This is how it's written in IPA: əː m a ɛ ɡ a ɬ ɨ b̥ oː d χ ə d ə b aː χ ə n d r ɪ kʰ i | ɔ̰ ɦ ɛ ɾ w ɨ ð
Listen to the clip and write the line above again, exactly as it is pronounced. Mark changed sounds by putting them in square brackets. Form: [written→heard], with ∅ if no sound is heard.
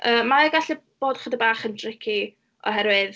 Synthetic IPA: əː m a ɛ ɡ a ɬ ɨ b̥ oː d χ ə d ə b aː χ ə n d r ɪ kʰ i | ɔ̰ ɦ ɛ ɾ w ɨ ð